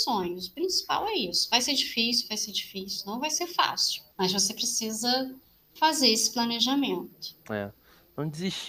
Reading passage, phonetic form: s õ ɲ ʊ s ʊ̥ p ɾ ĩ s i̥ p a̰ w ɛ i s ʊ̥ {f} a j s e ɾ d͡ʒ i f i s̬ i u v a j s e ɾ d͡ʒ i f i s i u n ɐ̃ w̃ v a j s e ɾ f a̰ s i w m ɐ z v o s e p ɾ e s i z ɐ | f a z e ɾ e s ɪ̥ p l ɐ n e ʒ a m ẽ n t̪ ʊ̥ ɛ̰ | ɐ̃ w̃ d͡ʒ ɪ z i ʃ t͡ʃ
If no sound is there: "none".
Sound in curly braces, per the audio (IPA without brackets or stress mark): v